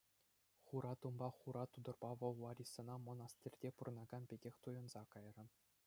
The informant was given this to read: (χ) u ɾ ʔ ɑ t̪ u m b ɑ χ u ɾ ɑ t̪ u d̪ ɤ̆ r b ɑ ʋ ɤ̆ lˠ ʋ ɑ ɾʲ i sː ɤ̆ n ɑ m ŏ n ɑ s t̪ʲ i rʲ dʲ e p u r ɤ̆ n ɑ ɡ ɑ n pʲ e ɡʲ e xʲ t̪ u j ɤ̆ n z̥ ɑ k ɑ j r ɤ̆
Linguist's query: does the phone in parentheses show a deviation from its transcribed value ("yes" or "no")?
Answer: no